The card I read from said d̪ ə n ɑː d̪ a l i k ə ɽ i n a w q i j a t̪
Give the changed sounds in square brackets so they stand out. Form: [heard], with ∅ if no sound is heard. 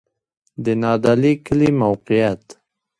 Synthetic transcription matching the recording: d̪ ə n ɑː d̪ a l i k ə [l] i [m] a w q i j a t̪